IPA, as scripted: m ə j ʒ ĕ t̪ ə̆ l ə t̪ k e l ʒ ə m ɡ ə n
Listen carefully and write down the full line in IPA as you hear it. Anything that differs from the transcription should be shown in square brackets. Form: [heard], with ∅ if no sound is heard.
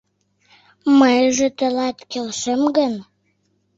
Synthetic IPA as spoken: m ə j ʒ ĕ t̪ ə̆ l [ɑ] t̪ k e l [ʃ] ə m ɡ ə n